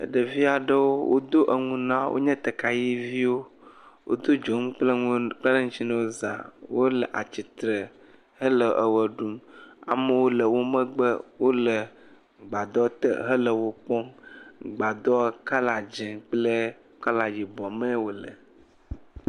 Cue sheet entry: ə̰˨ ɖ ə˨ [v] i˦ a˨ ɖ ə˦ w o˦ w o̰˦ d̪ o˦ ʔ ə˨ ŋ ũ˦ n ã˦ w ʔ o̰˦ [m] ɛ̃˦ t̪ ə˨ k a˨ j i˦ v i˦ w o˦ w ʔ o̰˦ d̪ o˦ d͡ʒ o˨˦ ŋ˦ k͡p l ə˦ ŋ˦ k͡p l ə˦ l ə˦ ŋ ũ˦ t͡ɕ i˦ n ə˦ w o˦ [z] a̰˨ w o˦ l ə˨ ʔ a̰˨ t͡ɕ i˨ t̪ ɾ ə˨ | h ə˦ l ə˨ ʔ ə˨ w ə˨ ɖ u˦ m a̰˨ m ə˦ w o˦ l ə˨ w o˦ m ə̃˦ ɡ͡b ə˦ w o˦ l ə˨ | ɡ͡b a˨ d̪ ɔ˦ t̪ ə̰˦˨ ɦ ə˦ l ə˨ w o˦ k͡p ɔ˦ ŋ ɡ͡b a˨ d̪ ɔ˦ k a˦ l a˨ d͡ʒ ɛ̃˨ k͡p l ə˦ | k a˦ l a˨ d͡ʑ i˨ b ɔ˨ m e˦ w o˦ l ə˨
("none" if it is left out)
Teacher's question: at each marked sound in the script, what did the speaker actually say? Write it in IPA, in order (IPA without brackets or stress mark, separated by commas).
v, ɲ, z